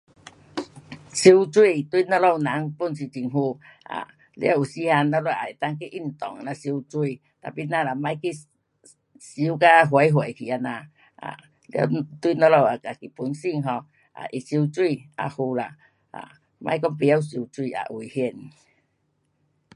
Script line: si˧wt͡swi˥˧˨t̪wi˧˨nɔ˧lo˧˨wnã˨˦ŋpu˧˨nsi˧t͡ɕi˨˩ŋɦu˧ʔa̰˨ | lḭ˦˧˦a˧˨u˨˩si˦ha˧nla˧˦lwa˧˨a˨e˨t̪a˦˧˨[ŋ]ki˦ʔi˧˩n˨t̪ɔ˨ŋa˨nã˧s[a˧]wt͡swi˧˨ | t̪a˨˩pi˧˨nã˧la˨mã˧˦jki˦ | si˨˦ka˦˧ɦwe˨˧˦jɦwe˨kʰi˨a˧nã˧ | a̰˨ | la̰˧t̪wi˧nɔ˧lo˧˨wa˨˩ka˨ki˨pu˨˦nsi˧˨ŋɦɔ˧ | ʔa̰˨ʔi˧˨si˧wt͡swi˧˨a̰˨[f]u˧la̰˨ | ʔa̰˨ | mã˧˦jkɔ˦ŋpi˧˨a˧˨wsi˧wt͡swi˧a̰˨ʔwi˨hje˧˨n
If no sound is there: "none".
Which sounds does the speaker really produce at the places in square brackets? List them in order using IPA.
ŋ, i˧, h

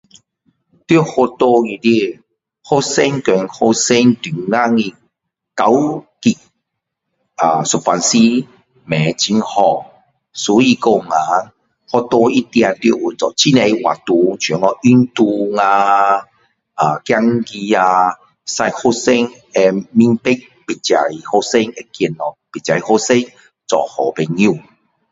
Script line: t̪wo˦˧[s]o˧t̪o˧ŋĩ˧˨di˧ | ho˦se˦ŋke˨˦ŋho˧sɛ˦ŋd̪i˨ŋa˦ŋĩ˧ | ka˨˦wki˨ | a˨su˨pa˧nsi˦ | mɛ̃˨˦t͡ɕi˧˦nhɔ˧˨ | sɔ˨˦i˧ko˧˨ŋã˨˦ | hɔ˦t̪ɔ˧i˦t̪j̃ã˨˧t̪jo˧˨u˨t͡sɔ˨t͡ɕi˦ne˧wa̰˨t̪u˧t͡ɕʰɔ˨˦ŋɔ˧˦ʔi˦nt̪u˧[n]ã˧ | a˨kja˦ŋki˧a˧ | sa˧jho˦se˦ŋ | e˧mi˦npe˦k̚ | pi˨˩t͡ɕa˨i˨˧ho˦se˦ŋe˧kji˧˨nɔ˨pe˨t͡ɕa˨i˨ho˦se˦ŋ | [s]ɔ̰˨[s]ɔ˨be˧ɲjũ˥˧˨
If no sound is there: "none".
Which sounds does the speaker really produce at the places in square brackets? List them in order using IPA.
h, ŋ, t͡s, h

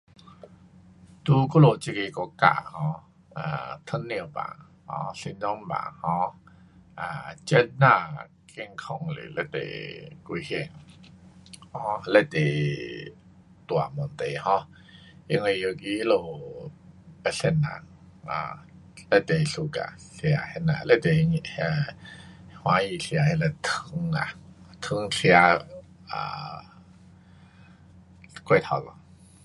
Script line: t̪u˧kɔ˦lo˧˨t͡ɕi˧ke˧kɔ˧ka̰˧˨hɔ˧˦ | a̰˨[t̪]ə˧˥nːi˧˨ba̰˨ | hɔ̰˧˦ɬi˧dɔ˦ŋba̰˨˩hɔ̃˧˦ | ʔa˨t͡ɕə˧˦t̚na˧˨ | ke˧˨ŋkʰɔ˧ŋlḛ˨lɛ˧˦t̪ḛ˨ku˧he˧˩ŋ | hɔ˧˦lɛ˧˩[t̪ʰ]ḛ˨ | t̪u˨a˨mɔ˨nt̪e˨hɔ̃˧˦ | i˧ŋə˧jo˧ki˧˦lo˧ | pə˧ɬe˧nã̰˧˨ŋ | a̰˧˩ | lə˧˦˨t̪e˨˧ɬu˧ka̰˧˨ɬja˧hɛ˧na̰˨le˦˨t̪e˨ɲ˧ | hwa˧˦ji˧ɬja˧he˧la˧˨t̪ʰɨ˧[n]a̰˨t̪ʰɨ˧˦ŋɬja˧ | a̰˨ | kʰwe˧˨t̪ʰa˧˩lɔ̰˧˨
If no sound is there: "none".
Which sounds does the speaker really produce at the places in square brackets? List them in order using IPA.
t̪ʰ, t̪, ŋ

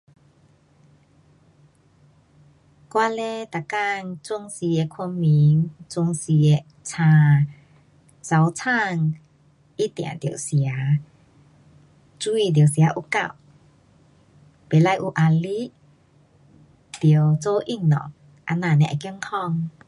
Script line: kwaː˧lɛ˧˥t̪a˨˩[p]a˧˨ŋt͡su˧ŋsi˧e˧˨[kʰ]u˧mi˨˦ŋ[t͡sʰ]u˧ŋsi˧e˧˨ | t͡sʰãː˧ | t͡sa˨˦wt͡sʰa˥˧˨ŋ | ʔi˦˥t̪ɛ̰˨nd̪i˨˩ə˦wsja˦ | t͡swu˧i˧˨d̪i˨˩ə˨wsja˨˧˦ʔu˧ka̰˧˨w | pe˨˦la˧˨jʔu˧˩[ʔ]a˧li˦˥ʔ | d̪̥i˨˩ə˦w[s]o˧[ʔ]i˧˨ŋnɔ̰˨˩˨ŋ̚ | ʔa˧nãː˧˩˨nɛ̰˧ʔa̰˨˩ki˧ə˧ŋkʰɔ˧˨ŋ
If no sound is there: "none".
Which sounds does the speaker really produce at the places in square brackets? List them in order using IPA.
k, kʰ, t͡s, ʔ, t͡s, ʔ

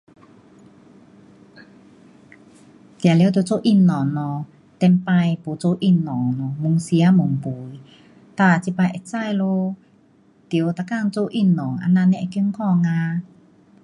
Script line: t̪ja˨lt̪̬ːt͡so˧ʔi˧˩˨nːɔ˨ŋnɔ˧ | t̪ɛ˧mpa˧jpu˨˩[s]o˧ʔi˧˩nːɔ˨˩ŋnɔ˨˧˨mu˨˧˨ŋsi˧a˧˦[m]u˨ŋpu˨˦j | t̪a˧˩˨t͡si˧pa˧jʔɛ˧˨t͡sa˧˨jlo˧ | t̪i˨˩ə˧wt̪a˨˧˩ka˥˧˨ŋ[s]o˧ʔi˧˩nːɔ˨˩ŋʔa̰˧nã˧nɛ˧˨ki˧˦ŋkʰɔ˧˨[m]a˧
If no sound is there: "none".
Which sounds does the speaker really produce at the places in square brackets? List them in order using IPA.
t͡s, m, t͡s, ŋ

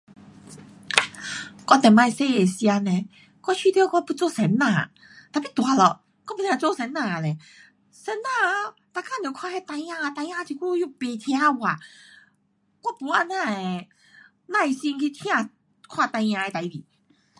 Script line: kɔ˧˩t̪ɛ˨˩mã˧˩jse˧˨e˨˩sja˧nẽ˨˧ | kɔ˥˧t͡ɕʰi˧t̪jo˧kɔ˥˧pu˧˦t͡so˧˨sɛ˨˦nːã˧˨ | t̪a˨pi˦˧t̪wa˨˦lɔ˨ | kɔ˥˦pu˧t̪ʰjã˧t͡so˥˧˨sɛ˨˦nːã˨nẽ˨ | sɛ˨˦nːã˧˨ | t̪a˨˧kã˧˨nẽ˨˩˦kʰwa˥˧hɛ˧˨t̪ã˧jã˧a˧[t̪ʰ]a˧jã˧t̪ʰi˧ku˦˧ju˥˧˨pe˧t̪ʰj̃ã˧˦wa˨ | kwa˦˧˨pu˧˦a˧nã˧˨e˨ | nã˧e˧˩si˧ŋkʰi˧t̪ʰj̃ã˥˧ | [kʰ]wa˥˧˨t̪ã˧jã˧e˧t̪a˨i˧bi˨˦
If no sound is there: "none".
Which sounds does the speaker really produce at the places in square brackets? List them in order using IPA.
t̪, kʰ

